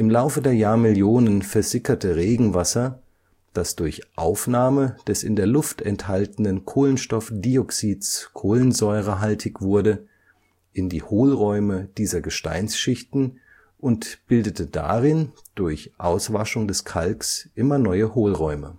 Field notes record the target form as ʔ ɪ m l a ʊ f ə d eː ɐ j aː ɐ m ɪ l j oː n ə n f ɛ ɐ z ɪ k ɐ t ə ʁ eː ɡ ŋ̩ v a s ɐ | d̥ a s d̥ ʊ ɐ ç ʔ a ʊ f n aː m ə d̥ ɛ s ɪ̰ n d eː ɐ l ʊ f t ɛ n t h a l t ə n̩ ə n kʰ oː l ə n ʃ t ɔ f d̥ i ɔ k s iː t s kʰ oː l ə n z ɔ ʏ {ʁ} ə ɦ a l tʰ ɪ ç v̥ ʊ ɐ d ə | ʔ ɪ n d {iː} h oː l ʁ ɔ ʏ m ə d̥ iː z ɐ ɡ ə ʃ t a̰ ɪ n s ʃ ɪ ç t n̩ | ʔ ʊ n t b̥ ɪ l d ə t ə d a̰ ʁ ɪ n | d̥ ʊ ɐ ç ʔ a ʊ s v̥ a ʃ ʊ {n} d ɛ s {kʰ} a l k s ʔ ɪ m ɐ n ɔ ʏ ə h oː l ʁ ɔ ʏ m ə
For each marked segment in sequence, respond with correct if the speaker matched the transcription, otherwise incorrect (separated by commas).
correct, correct, incorrect, correct